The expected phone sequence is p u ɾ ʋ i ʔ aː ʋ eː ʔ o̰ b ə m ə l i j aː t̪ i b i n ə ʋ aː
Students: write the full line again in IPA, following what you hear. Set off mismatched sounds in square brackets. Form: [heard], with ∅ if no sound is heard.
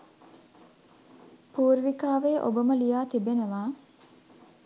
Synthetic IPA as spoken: p [uː] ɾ ʋ i [k] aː ʋ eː ʔ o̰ b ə m ə l i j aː t̪ i b [e] n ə ʋ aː